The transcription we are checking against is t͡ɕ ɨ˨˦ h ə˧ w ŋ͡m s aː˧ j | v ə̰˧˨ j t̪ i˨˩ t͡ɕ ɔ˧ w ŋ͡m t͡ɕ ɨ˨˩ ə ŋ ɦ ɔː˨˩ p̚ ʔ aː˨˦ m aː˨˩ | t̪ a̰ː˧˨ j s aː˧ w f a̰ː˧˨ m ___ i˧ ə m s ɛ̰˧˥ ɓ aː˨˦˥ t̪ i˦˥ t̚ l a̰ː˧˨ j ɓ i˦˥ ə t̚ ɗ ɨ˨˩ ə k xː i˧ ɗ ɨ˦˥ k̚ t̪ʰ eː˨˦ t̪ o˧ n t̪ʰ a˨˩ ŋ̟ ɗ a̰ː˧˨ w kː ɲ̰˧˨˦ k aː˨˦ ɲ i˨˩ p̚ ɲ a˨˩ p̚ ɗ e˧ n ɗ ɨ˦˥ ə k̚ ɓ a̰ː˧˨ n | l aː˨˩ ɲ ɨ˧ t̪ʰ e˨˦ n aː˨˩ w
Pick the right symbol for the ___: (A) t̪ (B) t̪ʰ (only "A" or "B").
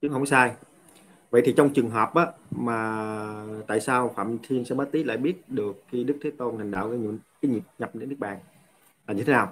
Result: B